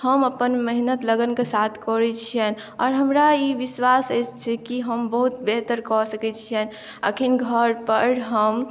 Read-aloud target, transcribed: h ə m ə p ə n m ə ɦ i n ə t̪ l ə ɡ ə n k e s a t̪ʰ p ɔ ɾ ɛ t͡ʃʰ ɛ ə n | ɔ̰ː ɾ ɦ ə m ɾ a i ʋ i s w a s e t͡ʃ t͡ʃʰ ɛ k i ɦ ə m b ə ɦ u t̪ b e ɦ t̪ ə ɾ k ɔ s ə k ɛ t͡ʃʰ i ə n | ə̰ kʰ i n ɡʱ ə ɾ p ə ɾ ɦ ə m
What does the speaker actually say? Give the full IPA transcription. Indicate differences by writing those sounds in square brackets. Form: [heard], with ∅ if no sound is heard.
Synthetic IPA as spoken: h ə m ə p ə n m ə ɦ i n ə t̪ l ə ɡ ə n k e s a t̪ʰ [k] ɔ ɾ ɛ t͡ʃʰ [i] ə n | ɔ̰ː ɾ ɦ ə m ɾ a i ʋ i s w a s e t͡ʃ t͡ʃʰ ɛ k i ɦ ə m b ə ɦ u t̪ b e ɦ t̪ ə ɾ k ɔ s ə k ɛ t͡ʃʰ i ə n | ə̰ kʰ i n ɡʱ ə ɾ p ə ɾ ɦ ə m